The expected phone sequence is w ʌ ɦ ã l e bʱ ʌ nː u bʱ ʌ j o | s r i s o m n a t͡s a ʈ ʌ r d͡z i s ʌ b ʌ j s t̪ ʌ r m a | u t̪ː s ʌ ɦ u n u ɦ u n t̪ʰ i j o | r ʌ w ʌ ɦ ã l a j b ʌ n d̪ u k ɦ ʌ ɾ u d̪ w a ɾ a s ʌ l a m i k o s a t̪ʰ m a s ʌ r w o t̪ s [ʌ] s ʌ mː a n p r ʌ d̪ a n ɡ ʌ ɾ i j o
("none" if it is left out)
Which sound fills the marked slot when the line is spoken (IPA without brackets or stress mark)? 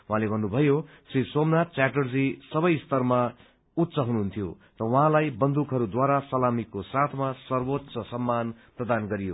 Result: ʌ